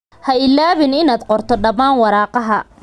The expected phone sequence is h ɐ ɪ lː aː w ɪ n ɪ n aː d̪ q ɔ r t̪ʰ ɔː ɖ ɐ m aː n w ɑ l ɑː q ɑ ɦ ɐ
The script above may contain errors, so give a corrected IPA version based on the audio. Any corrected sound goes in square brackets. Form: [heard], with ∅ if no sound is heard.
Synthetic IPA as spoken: h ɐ ɪ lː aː [β] ɪ n ɪ n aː d̪ q ɔ r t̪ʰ [ɔ] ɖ ɐ m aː n w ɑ [ɾ] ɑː q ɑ ɦ ɐ